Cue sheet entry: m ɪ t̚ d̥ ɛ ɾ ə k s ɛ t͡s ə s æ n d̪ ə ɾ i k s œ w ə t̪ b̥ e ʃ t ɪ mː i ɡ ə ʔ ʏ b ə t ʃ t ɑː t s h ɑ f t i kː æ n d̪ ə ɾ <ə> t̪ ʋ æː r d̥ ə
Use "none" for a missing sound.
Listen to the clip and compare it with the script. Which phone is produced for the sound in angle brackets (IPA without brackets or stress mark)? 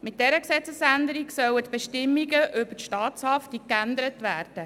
ə